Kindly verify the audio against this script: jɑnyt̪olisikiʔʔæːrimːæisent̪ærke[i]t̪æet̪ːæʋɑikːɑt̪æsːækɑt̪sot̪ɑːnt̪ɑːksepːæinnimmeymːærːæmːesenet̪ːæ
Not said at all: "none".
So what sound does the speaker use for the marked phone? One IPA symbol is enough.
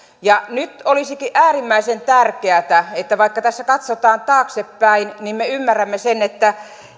æ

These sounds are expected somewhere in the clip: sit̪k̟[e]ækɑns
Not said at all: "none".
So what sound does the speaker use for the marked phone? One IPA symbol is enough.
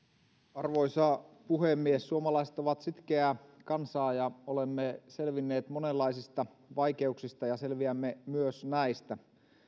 e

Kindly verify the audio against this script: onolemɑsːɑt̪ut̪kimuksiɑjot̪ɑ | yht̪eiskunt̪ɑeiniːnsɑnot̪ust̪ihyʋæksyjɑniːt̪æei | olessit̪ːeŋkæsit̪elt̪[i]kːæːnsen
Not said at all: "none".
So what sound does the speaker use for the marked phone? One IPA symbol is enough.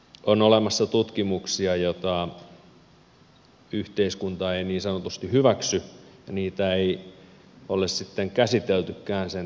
y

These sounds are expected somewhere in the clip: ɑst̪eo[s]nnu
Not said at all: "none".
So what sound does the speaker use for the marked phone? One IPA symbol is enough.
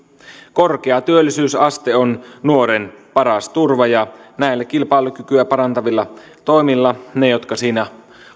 none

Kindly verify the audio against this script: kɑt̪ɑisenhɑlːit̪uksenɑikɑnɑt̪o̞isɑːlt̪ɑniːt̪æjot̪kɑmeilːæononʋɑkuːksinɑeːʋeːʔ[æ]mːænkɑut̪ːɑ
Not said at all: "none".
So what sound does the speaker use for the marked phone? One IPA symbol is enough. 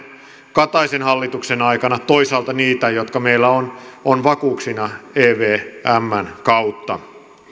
æ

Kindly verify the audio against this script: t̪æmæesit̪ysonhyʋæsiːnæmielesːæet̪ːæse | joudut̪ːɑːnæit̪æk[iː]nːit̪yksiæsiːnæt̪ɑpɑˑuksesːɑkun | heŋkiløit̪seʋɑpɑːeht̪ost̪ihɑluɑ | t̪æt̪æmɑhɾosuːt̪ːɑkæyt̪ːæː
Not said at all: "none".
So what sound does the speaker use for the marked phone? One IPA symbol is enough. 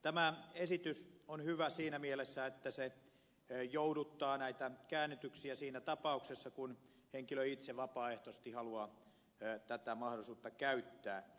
æː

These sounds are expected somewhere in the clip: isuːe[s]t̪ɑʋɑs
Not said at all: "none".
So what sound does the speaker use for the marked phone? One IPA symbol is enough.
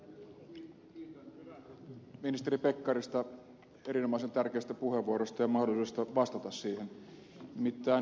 s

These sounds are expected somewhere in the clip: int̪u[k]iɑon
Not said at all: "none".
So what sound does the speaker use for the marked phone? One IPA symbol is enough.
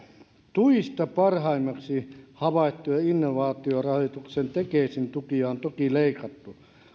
k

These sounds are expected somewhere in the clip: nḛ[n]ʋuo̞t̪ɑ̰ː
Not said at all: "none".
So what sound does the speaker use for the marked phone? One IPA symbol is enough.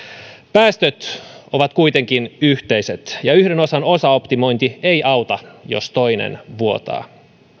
n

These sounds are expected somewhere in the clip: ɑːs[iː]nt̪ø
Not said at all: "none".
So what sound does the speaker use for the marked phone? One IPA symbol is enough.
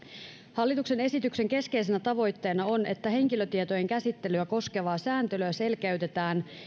æː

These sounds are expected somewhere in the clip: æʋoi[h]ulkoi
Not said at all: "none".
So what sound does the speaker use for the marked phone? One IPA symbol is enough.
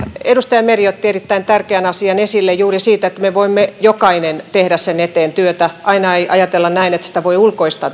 none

